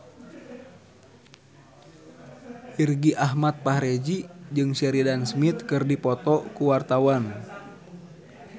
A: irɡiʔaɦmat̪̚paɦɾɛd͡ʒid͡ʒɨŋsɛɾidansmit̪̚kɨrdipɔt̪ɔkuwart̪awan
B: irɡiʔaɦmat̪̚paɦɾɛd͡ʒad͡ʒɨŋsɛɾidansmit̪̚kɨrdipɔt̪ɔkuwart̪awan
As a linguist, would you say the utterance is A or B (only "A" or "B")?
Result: A